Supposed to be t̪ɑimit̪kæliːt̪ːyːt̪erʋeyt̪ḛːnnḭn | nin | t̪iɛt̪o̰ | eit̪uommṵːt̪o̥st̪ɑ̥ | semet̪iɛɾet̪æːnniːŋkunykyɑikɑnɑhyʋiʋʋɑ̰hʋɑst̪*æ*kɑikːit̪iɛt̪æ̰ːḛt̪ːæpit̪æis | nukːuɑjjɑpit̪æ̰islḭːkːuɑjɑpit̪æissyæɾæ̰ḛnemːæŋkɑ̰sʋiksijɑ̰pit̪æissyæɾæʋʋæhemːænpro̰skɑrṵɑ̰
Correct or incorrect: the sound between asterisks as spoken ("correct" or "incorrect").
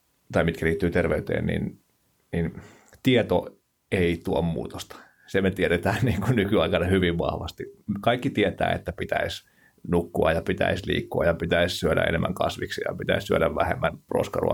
incorrect